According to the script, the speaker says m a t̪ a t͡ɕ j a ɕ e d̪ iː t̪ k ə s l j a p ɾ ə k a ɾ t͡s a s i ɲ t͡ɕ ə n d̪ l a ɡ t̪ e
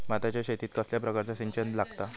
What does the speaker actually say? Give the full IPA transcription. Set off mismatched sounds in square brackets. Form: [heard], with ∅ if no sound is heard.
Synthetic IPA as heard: m a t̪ a t͡ɕ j a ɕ e [t̪] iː t̪ k ə s l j a p ɾ ə k a ɾ t͡s a s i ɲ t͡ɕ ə n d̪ l a ɡ t̪ [a]